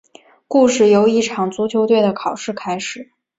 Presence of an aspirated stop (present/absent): present